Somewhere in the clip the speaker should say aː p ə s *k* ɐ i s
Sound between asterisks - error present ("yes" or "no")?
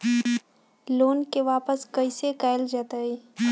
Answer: no